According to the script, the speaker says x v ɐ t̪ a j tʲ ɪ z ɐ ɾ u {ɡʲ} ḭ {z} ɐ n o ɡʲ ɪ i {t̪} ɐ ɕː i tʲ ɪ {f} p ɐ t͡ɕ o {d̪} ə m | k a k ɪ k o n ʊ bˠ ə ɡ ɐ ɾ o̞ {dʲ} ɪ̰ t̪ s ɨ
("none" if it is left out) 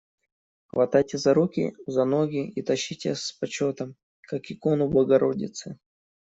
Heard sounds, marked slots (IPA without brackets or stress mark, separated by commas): kʲ, z, t̪, s, t̪, dʲ